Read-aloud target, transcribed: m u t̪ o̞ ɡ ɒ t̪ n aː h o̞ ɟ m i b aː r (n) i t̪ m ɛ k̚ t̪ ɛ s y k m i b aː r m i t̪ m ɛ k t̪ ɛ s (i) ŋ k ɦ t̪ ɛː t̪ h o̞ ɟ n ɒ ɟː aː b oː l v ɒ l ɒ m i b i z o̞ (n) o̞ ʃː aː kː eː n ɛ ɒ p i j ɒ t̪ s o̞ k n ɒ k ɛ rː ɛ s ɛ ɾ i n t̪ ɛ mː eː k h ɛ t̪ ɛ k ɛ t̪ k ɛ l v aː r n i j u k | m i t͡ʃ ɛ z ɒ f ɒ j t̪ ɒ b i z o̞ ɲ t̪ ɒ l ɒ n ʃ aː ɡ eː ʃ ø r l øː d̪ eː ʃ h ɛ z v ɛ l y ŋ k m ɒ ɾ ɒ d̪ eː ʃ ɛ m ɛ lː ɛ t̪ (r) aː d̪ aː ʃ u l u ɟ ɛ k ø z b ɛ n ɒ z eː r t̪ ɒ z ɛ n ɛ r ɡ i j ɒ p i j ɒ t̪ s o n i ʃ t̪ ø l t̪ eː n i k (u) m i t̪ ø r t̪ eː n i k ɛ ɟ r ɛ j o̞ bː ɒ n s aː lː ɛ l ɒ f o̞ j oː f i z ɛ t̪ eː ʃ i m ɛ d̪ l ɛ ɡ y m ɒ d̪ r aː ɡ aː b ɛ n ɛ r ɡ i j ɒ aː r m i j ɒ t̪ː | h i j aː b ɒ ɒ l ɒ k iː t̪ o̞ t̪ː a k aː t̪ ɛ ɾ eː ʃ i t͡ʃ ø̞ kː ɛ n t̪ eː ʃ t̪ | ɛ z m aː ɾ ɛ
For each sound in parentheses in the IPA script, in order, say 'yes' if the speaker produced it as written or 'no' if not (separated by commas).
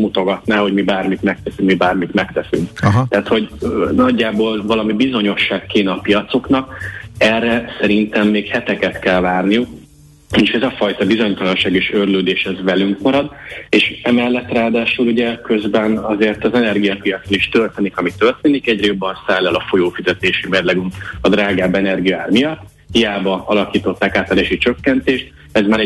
no, no, no, yes, no